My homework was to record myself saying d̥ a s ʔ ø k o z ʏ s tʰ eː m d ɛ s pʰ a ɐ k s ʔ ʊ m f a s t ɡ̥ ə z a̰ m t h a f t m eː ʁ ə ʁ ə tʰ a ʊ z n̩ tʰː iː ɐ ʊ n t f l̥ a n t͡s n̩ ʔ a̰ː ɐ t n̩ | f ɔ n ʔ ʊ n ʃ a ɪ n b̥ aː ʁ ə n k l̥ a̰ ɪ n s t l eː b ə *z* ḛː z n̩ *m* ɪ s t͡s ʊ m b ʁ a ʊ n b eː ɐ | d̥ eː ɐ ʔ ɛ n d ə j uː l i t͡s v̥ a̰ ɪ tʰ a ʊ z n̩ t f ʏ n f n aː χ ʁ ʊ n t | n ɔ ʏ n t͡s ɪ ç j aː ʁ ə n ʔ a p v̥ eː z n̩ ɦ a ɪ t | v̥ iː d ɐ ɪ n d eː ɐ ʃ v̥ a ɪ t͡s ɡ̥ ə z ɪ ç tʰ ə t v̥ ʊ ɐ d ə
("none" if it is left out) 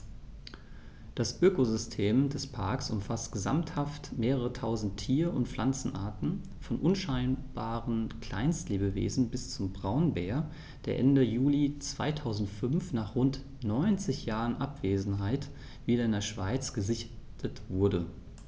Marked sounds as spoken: v, b

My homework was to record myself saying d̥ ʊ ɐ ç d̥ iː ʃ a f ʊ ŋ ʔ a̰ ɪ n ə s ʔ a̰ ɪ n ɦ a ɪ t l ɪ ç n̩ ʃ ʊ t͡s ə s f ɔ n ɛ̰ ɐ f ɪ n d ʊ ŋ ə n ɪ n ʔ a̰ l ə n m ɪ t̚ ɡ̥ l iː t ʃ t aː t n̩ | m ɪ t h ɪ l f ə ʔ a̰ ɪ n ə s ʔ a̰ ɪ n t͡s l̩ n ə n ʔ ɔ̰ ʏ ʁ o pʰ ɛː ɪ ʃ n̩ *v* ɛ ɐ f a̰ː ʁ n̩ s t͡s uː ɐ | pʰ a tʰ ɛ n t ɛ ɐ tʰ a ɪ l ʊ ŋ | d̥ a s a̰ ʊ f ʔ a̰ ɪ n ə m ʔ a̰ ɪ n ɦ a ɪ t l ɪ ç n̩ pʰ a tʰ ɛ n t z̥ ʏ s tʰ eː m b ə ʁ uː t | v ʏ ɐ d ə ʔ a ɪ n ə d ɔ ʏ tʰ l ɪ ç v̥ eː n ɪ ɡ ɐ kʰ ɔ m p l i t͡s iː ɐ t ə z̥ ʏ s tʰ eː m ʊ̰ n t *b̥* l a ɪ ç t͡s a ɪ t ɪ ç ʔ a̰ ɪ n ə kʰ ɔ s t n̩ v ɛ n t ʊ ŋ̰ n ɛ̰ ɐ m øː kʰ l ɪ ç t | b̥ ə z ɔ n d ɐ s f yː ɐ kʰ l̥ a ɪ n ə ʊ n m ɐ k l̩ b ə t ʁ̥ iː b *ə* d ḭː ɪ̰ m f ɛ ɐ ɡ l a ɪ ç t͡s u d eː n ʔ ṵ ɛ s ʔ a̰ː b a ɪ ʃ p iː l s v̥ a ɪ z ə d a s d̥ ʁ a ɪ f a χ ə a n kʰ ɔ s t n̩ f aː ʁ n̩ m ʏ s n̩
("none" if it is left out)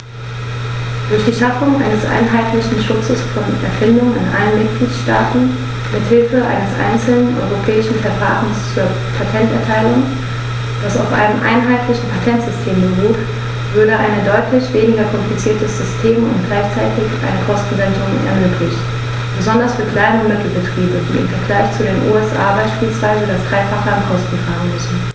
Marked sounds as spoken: f, ɡ̥, ə

